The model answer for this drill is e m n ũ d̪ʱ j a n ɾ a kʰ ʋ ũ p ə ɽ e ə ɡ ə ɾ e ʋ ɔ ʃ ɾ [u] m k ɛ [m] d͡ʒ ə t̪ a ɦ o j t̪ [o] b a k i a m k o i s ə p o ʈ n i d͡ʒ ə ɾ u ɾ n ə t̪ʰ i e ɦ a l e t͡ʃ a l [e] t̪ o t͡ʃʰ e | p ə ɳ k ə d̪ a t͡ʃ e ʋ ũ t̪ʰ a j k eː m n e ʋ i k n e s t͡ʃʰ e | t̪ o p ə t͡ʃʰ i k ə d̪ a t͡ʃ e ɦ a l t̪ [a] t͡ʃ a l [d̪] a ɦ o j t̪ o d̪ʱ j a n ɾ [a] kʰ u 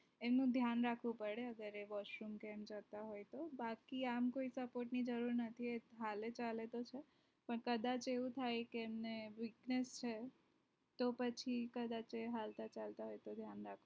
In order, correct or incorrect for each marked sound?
correct, correct, correct, correct, correct, incorrect, correct

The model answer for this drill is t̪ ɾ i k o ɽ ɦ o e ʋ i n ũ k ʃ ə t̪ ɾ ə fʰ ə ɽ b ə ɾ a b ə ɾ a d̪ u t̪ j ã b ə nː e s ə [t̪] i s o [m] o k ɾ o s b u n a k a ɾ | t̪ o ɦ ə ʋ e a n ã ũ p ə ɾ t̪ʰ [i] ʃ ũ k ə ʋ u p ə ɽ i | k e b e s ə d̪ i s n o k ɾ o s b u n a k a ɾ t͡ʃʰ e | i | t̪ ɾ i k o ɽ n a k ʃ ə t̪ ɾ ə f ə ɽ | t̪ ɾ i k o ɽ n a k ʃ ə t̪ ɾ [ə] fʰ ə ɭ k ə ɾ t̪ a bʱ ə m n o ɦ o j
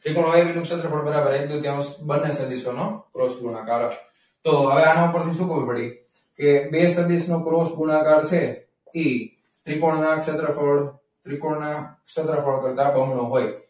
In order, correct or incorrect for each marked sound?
incorrect, incorrect, correct, correct

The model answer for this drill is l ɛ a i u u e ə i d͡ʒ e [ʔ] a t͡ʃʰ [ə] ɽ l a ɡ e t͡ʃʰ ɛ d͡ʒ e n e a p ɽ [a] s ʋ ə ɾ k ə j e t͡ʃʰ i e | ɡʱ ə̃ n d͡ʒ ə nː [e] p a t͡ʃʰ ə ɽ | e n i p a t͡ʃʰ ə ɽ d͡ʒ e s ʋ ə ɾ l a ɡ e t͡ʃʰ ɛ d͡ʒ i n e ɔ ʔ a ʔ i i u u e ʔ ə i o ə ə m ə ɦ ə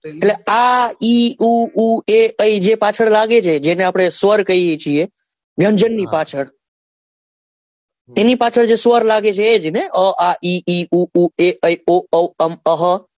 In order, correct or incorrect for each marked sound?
incorrect, correct, incorrect, incorrect

